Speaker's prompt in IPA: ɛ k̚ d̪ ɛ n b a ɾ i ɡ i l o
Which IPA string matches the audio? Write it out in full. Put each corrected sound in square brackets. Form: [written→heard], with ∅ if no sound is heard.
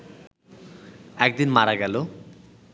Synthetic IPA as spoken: ɛ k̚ d̪ [ɛ→i] n [b→m] a ɾ [i→a] ɡ [i→ɛ] l o